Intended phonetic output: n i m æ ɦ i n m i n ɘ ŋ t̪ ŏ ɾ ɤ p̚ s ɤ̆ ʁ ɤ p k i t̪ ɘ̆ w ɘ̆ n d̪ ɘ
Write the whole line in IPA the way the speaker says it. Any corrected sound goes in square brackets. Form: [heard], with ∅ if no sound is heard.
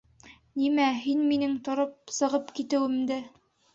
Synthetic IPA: n i m æ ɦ i n m i n ɘ ŋ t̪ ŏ ɾ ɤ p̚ s ɤ̆ ʁ ɤ p k i t̪ ɘ̆ w ɘ̆ [m] d̪ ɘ